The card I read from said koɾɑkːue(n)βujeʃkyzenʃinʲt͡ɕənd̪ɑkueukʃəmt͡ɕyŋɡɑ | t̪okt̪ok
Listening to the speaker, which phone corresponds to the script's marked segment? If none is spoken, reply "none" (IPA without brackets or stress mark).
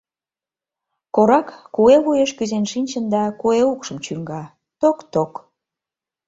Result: none